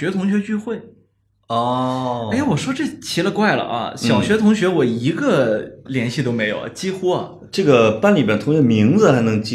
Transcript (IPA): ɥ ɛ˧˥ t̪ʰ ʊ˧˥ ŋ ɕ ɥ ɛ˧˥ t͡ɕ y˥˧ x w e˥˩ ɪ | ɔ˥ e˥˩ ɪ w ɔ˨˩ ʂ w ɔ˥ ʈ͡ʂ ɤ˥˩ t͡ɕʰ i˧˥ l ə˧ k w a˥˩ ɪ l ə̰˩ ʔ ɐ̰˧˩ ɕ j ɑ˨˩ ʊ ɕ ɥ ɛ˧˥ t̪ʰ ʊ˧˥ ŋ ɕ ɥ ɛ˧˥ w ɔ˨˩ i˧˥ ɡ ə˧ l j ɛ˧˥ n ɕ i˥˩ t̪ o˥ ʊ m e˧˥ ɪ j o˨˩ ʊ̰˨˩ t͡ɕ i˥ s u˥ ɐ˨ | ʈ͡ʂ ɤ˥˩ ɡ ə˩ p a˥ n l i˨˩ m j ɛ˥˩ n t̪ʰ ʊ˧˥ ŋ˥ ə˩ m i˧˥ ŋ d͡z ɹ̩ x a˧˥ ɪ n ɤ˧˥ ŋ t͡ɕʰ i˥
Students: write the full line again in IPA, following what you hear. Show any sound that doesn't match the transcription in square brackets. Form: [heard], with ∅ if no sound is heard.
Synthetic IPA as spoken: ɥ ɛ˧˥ t̪ʰ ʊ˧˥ ŋ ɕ ɥ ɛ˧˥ t͡ɕ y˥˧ x w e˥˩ ɪ | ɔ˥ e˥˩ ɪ w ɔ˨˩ ʂ w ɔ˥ ʈ͡ʂ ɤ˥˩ t͡ɕʰ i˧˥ l ə˧ k w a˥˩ ɪ l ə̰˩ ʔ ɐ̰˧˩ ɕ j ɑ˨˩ ʊ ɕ ɥ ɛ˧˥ t̪ʰ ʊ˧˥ ŋ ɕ ɥ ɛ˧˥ w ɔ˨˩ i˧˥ ɡ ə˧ l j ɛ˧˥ n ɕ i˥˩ t̪ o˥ ʊ m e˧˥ ɪ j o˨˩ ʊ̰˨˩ t͡ɕ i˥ [x] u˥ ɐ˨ | ʈ͡ʂ ɤ˥˩ ɡ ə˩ p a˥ n l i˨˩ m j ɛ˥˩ n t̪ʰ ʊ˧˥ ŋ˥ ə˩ m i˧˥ ŋ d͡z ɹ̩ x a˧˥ ɪ n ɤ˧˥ ŋ [t͡ɕ] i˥